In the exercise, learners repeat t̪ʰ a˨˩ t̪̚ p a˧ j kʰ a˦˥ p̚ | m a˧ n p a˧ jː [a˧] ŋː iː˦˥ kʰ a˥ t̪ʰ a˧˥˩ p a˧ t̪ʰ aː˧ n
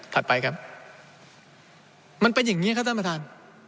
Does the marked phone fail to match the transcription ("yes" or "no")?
yes